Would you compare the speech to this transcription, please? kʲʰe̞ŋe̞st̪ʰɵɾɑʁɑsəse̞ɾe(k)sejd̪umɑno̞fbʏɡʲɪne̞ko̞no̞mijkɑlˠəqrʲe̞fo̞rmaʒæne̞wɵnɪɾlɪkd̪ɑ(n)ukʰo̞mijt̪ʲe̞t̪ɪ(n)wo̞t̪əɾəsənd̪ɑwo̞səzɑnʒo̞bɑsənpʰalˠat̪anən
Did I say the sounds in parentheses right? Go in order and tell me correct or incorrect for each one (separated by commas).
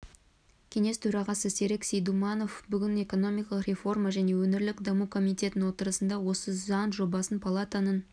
correct, incorrect, correct